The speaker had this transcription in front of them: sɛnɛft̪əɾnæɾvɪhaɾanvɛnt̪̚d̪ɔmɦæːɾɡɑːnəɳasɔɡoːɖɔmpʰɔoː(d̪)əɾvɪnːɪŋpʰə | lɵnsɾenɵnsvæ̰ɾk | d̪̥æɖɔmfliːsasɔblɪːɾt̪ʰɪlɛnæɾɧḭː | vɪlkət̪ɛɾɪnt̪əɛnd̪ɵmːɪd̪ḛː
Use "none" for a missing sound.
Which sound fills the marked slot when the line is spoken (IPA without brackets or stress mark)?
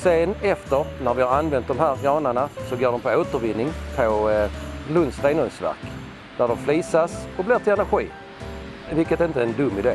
t̪